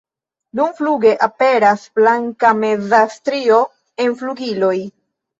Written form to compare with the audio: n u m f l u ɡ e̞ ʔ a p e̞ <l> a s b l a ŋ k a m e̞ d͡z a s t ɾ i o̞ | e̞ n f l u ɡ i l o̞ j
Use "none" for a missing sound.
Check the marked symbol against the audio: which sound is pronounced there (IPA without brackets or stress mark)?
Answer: ɾ